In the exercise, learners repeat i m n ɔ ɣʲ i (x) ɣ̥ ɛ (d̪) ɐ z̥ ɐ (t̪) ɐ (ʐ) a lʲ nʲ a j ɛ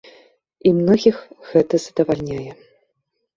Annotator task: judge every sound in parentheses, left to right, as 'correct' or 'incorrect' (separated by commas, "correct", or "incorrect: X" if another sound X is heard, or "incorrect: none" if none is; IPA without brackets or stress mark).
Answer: correct, incorrect: t̪, incorrect: d̪, incorrect: v